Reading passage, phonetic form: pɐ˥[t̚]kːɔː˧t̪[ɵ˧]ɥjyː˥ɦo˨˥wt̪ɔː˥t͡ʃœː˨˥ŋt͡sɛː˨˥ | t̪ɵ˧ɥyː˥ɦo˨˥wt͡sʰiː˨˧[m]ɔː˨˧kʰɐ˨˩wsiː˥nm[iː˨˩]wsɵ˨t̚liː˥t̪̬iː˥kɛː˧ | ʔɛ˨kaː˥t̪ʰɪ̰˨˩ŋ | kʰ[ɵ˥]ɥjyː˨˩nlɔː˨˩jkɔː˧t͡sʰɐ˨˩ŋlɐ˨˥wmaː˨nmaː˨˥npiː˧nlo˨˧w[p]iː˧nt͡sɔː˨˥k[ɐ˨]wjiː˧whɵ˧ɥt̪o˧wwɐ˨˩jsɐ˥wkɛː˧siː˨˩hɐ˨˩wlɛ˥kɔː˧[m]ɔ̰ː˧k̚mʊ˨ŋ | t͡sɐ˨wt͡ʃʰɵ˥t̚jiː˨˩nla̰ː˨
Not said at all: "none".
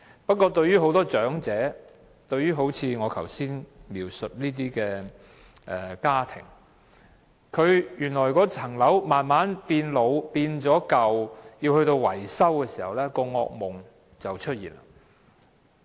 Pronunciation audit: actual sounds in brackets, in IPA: t̚, ɵ˧, ŋ, iː˨˩, ɵ˨˧, p, ɐ˨, ŋ

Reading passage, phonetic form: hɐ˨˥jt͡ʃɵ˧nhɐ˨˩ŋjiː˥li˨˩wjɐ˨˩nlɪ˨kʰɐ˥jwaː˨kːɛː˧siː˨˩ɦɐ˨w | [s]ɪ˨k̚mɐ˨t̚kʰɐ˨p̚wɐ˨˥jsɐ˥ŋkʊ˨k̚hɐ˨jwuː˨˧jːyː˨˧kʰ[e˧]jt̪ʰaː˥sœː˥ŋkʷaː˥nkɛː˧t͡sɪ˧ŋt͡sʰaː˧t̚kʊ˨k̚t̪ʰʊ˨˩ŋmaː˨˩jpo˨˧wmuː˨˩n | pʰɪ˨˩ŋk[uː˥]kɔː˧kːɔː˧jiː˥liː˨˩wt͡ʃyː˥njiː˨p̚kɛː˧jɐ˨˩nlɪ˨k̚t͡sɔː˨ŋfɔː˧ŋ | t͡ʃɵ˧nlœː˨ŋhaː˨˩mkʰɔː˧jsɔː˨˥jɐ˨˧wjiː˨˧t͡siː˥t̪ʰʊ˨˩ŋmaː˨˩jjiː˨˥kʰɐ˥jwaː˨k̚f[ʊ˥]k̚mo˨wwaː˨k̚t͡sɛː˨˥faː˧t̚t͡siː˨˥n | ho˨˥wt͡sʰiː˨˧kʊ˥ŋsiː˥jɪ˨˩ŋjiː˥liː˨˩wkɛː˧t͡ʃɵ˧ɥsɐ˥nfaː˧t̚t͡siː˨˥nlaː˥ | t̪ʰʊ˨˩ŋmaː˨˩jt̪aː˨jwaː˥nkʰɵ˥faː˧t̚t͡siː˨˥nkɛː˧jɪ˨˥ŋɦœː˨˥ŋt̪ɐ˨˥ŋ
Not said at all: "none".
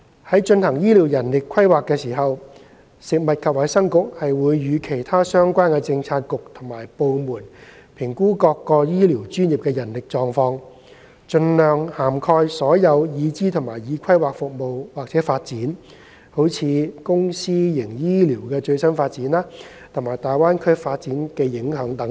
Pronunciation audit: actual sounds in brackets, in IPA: s, e˨˩, uː˥, ʊ˨

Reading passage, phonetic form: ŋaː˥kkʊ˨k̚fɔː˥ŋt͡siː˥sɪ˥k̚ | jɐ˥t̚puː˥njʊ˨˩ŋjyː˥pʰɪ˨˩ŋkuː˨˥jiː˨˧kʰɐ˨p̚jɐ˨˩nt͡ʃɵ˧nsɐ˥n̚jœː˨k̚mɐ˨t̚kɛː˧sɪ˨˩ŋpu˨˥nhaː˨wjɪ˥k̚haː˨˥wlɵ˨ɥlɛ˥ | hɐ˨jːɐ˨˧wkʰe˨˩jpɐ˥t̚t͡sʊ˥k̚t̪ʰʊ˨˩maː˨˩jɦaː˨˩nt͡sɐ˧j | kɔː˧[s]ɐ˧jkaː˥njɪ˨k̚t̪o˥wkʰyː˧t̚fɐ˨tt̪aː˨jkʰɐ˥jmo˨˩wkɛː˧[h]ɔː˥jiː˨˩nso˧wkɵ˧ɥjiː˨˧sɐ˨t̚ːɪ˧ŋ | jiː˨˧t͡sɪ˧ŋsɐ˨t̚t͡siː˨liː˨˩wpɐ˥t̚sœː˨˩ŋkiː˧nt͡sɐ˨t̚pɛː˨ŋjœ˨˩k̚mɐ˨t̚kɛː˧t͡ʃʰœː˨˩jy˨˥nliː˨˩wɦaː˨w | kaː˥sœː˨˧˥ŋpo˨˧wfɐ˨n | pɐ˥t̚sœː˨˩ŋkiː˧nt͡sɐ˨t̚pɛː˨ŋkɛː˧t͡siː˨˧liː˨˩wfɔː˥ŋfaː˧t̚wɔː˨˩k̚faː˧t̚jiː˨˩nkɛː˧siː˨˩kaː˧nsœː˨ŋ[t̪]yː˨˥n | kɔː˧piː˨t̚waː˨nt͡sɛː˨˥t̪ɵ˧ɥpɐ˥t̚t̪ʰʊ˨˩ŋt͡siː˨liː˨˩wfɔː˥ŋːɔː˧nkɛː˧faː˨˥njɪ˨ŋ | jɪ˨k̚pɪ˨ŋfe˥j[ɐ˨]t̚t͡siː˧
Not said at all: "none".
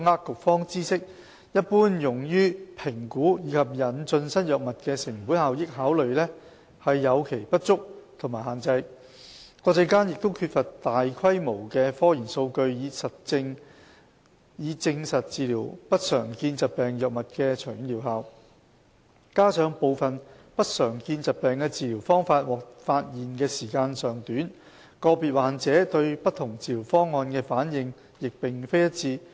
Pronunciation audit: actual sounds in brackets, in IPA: t͡s, f, t̪, ɐ˥

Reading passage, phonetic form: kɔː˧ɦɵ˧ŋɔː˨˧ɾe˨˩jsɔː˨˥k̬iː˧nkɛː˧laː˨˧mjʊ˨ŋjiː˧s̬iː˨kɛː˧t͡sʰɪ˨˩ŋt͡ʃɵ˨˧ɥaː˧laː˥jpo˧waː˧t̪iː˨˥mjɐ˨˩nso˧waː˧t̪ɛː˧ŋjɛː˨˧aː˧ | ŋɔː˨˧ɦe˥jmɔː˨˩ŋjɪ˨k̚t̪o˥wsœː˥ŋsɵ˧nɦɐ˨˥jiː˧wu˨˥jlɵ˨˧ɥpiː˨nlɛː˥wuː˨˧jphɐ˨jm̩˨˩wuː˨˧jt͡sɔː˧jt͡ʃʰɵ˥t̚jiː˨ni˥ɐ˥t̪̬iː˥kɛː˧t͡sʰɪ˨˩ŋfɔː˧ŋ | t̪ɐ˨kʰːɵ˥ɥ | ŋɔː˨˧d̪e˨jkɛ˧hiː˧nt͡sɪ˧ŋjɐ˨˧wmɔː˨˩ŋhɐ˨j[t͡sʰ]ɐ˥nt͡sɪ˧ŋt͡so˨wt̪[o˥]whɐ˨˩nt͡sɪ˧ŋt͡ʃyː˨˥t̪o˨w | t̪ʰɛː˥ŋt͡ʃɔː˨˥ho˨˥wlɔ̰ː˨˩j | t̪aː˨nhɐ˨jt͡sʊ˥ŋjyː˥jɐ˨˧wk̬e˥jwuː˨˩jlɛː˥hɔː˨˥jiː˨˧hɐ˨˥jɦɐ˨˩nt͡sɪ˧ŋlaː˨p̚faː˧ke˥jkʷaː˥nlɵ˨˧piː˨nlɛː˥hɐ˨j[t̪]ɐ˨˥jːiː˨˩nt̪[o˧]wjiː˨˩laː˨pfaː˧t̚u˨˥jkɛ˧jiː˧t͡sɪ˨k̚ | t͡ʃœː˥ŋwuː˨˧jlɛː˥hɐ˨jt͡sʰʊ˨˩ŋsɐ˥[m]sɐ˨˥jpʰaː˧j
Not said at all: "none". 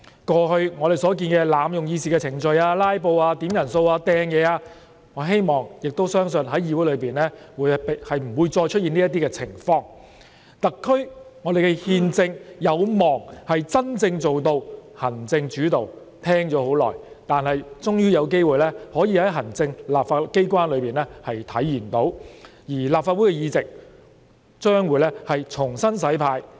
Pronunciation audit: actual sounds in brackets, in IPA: t͡s, o˧, t̪ʰ, o˨˥, n

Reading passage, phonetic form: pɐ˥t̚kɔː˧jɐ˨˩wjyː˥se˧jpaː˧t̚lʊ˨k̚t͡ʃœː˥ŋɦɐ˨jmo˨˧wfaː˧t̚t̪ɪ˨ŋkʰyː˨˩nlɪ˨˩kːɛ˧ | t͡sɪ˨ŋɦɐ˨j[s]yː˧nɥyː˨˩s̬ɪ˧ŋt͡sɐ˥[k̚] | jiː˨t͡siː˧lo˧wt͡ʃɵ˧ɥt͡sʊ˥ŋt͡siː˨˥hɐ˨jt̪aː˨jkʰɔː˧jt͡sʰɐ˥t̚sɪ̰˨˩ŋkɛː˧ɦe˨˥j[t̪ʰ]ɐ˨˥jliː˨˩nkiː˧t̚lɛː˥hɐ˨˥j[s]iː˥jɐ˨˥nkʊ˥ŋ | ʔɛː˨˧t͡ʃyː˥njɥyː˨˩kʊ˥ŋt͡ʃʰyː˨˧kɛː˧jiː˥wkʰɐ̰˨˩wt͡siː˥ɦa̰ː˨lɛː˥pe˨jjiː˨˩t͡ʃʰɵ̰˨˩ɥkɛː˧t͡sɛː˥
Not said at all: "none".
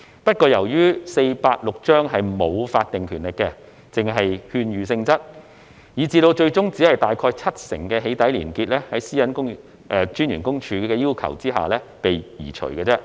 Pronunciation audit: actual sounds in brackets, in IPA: h, t̚, t̪, s

